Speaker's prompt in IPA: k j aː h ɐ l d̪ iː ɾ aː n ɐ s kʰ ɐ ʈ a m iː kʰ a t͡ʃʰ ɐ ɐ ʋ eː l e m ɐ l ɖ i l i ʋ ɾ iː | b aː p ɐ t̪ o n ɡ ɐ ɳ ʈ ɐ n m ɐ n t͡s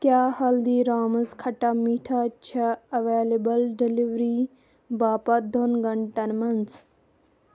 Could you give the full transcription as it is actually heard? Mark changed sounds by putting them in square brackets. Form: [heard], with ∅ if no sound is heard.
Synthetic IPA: k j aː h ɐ l d̪ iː ɾ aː [m] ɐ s kʰ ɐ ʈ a m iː [ʈʰ] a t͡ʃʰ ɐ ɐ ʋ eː l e [b] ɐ l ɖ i l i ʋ ɾ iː | b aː p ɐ [d̪] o n ɡ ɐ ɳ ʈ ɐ n m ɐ n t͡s